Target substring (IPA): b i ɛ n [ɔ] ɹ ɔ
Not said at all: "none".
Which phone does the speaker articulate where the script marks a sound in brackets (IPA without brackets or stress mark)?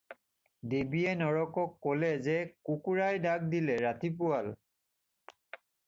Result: ɔ